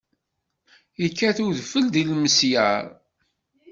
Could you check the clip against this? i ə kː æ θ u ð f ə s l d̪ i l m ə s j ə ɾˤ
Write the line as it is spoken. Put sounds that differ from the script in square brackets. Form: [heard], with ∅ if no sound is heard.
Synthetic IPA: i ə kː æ θ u ð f ə [∅] l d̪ i l m ə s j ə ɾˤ

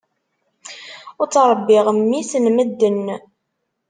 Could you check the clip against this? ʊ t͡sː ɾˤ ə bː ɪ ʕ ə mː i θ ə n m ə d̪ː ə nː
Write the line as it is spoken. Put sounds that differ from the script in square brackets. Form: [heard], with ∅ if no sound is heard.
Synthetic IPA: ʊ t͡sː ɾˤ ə bː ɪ [ʁ] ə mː i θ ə n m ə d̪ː ə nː

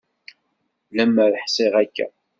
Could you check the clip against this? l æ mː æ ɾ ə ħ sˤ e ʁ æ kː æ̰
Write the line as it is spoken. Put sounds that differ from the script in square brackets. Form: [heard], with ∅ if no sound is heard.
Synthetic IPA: l æ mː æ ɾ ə ħ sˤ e ʁ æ kː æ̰

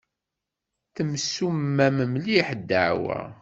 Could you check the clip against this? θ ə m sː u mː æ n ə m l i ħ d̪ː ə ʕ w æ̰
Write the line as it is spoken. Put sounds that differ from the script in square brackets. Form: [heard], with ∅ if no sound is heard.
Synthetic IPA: θ ə m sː u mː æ [m] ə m l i ħ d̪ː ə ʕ w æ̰

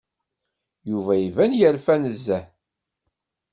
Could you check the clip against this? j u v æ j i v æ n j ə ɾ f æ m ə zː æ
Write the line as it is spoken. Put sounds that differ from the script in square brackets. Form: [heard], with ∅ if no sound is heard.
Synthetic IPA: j u v æ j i v æ n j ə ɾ f æ [n] ə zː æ

